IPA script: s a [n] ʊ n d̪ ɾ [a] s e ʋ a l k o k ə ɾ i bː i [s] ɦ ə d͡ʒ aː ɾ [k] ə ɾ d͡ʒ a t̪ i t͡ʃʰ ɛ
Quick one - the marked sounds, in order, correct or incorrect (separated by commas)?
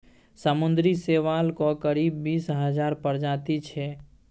incorrect, incorrect, correct, incorrect